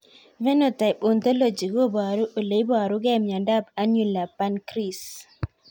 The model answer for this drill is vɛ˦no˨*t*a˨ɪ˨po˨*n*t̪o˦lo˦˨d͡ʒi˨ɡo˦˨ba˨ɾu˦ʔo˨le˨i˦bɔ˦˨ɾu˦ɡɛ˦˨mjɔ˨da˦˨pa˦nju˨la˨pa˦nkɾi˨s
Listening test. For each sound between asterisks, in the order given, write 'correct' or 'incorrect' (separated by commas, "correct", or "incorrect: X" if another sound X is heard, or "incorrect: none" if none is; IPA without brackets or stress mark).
correct, correct